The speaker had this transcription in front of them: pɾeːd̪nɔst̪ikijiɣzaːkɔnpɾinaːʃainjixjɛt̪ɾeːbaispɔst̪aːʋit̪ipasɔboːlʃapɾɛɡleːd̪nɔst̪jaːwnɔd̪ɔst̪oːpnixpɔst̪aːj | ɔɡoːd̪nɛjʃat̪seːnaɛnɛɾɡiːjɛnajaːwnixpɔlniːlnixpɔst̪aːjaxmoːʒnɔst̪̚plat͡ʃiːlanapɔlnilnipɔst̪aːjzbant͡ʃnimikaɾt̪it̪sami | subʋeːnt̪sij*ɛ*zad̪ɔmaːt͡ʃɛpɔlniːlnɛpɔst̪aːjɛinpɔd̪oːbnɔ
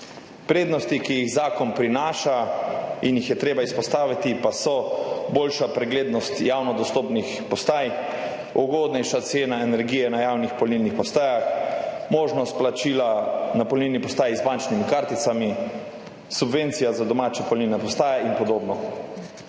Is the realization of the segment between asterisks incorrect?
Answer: yes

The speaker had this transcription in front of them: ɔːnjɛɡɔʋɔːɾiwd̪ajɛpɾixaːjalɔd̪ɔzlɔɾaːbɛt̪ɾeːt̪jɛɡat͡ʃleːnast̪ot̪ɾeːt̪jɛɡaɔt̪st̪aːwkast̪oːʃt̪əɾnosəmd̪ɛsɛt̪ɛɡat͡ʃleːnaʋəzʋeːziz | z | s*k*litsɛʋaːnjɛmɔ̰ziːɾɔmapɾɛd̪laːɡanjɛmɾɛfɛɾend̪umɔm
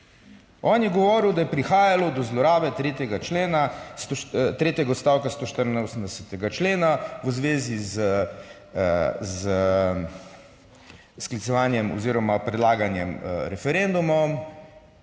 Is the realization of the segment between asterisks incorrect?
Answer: no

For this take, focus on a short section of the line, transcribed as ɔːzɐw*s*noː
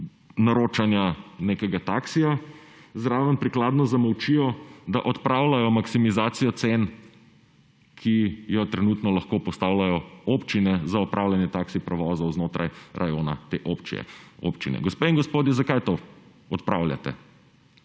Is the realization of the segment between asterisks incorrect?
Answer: yes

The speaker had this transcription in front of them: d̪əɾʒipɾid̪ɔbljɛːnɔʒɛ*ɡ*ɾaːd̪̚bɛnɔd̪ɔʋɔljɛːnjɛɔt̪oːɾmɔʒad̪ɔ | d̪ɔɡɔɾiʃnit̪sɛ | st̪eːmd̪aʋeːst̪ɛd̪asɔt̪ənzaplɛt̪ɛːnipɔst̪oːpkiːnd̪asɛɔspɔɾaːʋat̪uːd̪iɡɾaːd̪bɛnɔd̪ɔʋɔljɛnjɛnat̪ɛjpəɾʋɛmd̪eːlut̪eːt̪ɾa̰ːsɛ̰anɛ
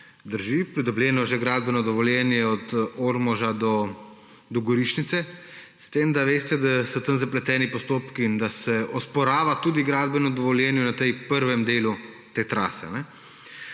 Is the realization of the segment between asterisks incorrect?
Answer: no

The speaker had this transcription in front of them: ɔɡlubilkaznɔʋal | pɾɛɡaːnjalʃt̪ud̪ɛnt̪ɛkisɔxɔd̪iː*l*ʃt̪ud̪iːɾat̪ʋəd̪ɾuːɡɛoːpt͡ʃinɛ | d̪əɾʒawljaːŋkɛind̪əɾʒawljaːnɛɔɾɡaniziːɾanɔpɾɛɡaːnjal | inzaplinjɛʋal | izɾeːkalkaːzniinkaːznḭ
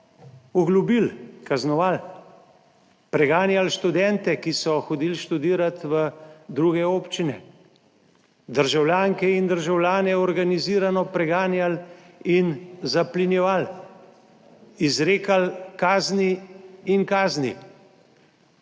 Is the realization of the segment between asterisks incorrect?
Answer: no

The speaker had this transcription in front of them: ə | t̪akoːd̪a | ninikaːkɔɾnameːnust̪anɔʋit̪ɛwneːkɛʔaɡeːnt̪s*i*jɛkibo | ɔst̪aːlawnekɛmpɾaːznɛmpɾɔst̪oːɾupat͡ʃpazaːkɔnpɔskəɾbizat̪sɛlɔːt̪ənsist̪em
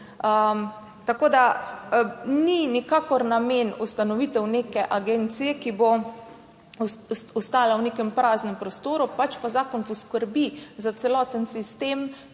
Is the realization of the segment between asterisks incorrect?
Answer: no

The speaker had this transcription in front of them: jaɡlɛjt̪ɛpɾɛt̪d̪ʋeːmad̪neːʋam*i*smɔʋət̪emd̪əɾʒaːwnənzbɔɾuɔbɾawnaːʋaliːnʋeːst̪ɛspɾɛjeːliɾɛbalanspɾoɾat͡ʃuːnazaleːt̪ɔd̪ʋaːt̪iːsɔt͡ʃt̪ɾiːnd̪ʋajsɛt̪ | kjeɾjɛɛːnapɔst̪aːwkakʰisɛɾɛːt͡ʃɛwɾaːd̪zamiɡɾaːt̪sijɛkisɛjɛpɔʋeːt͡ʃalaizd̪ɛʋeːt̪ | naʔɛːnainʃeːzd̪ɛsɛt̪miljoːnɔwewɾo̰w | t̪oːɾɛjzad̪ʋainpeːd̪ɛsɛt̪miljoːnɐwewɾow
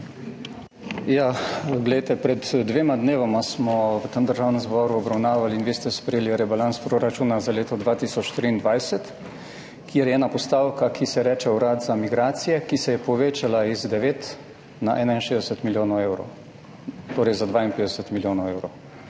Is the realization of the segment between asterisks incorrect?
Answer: yes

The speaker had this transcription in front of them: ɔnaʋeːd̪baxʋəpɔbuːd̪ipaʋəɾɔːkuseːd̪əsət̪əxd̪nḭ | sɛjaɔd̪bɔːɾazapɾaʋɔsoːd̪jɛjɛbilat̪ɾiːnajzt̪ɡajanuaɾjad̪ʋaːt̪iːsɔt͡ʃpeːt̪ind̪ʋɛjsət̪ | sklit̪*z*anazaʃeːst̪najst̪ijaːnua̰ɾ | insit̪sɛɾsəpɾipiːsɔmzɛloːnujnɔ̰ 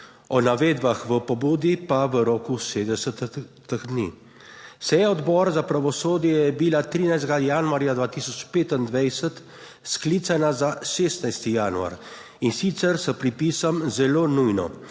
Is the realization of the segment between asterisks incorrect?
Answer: yes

